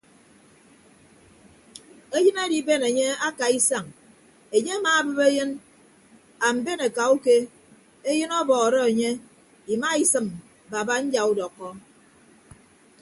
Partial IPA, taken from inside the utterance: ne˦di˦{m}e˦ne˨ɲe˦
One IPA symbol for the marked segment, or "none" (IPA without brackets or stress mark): b